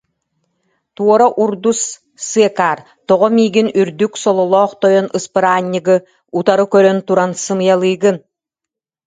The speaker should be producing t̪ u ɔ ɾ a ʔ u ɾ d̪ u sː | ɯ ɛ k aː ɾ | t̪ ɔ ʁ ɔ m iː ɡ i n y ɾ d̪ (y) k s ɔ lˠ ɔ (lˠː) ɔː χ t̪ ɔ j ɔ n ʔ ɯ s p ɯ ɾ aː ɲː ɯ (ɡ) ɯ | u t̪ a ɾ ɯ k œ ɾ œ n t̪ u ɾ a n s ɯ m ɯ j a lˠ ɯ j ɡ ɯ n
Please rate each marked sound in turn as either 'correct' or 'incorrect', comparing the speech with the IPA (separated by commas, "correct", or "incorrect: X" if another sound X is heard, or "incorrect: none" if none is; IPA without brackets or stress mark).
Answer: correct, incorrect: lˠ, correct